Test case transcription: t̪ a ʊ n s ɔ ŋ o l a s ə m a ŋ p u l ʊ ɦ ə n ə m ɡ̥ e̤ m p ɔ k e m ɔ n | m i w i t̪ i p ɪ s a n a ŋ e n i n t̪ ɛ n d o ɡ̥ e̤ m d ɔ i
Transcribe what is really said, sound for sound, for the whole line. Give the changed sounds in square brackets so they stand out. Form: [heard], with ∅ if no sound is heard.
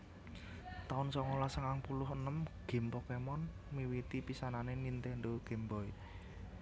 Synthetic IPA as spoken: t̪ a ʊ n s ɔ ŋ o l a s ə [ŋ] a ŋ p u l ʊ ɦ ə n ə m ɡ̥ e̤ m p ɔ k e m ɔ n | m i w i t̪ i p [i] s a n a [n] e n i n t̪ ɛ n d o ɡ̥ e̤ m [b] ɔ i